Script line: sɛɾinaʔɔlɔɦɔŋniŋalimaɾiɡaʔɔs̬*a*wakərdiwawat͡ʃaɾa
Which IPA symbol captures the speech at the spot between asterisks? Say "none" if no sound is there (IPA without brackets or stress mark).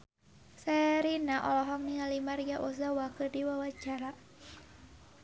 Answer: a